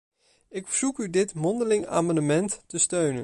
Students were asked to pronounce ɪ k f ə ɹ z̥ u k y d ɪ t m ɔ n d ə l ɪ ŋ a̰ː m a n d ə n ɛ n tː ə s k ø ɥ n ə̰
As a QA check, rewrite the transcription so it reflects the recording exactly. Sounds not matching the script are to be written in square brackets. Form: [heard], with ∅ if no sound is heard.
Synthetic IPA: ɪ k f ə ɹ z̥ u k y d ɪ t m ɔ n d ə l ɪ ŋ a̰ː m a n d ə [m] ɛ n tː ə s [t] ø ɥ n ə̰